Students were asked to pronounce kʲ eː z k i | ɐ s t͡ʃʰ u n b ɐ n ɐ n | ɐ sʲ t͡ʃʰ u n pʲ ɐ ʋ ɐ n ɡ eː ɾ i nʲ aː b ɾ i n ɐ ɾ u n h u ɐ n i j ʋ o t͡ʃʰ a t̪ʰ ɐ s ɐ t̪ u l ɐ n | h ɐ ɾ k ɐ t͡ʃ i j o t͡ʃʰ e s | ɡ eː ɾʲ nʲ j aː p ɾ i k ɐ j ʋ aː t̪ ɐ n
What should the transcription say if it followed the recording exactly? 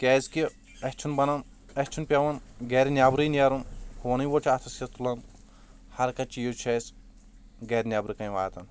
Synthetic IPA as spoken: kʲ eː z k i | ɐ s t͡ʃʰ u n b ɐ n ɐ n | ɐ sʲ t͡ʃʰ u n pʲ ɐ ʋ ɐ n ɡ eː ɾ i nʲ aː b ɾ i n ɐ ɾ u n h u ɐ n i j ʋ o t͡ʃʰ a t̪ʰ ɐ s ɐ t̪ u l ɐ n | h ɐ ɾ k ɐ t͡ʃ i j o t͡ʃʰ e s | ɡ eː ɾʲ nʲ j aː b ɾ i k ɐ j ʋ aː t̪ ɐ n